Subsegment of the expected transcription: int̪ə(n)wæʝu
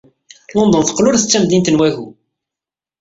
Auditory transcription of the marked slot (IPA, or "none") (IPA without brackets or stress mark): n